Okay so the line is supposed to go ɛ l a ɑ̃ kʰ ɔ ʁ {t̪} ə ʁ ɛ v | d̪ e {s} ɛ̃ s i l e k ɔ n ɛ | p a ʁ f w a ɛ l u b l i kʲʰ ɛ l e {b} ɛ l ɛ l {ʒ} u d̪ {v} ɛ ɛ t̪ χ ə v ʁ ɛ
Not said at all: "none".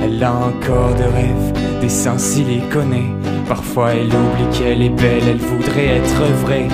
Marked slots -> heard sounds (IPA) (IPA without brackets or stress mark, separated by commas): d̪, s, b, v, ʁ